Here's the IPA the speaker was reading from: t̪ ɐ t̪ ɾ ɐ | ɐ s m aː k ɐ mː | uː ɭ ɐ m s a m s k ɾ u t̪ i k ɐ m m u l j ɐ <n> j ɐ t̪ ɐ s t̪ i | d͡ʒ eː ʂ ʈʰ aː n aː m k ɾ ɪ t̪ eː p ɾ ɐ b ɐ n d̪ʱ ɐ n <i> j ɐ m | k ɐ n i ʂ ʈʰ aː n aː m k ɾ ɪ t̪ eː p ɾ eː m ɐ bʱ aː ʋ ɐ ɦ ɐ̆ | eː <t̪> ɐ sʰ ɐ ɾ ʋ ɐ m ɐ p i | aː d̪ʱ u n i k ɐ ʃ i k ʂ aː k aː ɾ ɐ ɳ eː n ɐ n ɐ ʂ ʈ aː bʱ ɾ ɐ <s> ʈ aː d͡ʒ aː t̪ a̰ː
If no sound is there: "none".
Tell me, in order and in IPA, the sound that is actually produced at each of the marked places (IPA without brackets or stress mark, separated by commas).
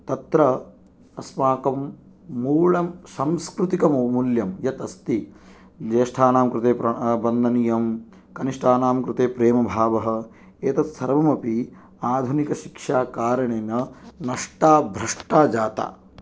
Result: m, i, t̪, ʂ